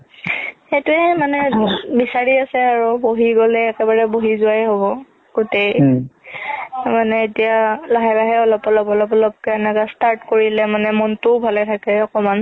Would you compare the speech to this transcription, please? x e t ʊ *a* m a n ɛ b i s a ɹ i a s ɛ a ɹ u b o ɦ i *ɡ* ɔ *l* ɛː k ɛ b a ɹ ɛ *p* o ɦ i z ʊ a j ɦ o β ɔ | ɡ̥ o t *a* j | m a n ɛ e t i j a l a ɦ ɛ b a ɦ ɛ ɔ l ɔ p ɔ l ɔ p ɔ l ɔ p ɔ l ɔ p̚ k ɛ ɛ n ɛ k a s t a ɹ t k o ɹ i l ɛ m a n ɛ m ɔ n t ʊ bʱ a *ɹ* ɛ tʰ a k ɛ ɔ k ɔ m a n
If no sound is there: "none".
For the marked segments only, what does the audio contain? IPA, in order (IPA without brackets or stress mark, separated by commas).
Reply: ɛ, ɡ, l, b, e, l